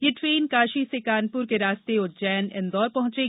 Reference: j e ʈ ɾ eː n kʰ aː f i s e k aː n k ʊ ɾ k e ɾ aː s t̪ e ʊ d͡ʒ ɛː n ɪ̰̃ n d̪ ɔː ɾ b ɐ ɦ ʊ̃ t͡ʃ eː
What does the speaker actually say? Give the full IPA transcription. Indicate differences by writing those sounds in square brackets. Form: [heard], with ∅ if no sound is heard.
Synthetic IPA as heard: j e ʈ ɾ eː n [k] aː [ʃ] i s e k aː n [p] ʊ ɾ k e ɾ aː s t̪ e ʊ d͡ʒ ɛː n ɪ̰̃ n d̪ ɔː ɾ [p] ɐ ɦ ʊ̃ t͡ʃ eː